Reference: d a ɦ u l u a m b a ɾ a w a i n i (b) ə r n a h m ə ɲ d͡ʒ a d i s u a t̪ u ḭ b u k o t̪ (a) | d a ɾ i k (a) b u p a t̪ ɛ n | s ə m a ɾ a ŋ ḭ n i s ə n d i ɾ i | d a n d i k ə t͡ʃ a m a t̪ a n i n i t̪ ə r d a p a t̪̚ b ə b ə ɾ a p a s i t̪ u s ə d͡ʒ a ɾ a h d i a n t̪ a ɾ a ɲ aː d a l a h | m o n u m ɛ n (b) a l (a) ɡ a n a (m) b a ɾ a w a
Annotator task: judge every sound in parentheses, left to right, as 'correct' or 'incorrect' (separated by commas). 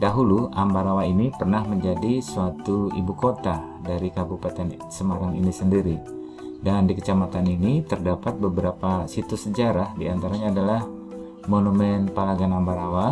incorrect, correct, correct, incorrect, correct, correct